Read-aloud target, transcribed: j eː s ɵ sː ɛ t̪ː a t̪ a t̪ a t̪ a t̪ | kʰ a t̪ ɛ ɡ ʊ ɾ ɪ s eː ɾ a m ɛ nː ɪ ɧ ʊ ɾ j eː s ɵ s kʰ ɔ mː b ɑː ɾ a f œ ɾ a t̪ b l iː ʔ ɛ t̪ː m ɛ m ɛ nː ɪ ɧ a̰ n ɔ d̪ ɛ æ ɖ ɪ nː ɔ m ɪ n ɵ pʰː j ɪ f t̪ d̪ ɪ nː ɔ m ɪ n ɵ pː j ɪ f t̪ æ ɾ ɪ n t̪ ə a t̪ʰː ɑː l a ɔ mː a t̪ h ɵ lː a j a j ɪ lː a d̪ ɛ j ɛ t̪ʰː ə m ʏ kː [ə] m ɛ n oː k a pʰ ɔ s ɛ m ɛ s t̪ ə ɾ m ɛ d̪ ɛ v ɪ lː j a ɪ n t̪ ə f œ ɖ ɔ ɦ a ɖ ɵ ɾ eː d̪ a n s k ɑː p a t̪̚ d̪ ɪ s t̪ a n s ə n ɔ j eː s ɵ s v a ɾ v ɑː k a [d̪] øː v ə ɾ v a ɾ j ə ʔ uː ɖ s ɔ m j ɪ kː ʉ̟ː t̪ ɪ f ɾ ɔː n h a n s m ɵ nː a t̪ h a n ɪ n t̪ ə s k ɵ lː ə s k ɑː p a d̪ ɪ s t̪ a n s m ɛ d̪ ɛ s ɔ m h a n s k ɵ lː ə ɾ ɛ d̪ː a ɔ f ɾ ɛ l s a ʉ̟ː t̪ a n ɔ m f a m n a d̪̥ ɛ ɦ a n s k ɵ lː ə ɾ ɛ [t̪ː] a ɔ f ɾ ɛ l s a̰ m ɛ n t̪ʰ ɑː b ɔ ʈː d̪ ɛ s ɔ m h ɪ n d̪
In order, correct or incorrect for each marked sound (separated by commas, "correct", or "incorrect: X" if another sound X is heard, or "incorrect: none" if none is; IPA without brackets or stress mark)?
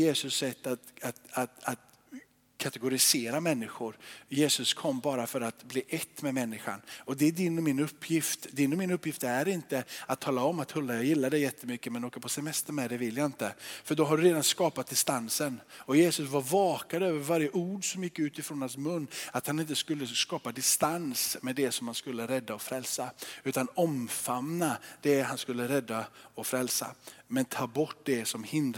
correct, correct, incorrect: d̪ː